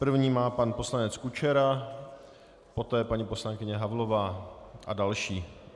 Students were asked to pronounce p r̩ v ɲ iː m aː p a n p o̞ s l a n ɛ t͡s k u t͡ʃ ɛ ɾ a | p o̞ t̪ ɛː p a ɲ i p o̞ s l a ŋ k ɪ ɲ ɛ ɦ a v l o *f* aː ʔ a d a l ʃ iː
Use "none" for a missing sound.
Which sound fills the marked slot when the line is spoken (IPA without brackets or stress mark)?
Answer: v